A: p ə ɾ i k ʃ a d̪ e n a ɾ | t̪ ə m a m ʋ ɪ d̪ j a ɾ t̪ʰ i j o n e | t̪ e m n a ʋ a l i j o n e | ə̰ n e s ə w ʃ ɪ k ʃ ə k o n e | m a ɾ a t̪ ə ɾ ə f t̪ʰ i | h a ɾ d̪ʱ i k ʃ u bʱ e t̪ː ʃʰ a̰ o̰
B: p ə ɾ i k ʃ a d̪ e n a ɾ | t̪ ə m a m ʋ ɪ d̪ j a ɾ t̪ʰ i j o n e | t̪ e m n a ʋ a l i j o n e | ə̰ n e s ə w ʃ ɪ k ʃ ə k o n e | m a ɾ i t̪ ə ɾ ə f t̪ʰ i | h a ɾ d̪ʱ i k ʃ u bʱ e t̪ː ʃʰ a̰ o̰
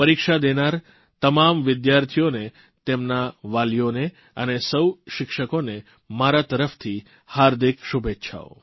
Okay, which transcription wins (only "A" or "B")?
A